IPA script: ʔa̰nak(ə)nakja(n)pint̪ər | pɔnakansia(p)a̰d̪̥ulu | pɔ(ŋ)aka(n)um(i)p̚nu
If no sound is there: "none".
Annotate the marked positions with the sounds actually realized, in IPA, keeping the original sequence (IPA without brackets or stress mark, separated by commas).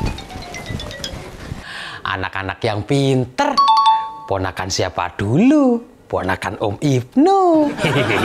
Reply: a, ŋ, p, n, n, i